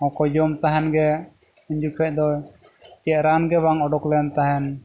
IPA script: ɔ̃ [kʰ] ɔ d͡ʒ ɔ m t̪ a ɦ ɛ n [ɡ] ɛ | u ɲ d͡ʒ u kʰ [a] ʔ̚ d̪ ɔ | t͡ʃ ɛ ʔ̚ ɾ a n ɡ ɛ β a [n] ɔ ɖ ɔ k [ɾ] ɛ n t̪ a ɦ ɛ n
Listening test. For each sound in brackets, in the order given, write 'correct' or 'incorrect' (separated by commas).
incorrect, correct, incorrect, incorrect, incorrect